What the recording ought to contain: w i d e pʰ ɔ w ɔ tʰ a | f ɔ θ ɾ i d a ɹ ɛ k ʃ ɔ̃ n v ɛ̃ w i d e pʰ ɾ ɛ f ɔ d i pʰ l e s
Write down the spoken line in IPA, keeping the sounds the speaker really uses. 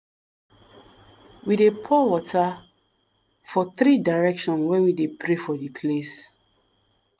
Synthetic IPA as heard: w i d e pʰ ɔ w ɔ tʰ a | f ɔ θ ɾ i d a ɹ ɛ k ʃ ɔ̃ n w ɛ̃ w i d e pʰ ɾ e f ɔ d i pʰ l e s